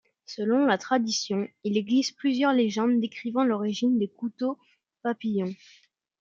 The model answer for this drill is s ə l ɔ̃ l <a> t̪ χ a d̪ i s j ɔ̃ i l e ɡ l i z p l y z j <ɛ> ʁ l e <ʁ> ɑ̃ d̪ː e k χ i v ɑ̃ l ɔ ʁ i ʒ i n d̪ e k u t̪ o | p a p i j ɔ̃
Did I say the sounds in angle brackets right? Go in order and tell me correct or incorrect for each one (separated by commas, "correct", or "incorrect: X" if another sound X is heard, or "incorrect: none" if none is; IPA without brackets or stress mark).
correct, incorrect: œ, incorrect: ʒ